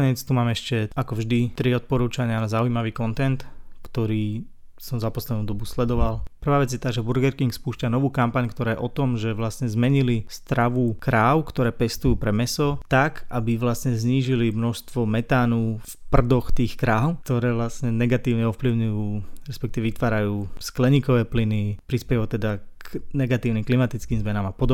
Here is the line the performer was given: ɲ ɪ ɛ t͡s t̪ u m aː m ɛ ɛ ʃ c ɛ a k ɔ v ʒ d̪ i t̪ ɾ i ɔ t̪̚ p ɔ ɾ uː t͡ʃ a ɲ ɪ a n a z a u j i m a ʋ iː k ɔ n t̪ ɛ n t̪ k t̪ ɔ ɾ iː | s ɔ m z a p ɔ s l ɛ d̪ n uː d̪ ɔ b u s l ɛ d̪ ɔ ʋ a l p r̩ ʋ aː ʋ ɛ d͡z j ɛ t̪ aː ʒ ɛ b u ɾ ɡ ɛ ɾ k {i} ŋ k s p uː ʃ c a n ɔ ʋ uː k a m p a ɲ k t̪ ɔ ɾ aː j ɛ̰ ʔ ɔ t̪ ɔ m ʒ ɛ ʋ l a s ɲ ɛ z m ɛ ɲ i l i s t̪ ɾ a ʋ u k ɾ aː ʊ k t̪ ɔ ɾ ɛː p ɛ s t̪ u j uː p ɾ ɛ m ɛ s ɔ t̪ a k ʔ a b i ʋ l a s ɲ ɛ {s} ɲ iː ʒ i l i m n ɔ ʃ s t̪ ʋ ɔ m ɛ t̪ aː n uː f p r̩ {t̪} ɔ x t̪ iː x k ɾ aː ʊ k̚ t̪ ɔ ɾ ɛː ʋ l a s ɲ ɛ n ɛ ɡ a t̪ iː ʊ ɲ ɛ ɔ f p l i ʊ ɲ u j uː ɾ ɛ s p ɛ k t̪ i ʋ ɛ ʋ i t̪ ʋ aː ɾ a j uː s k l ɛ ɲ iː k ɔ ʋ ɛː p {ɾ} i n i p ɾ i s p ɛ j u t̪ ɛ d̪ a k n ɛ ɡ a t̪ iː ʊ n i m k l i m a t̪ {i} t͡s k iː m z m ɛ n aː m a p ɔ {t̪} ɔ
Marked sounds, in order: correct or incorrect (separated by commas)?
correct, incorrect, incorrect, incorrect, correct, incorrect